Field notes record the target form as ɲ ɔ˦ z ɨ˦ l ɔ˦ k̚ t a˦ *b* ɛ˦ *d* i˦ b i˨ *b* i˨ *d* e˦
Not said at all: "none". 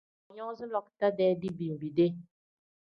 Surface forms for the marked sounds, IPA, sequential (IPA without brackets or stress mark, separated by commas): d, d, b, d